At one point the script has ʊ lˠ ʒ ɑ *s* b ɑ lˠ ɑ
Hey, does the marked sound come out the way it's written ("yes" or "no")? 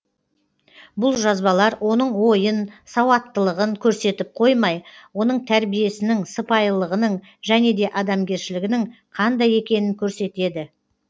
no